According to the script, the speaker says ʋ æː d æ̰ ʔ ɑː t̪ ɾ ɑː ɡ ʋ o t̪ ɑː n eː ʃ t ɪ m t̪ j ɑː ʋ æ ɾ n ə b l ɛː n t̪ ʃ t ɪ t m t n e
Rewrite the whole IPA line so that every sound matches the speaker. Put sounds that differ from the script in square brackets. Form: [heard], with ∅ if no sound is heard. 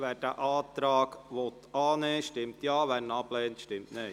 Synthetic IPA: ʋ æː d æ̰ ʔ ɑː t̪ ɾ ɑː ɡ ʋ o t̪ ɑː n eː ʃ t ɪ m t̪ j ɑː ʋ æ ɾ n [ɑ] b l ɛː n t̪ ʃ t ɪ [∅] m t n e